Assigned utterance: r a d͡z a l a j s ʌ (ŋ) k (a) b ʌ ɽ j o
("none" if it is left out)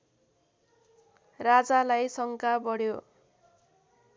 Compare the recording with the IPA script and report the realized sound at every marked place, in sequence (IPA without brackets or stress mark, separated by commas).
ŋ, a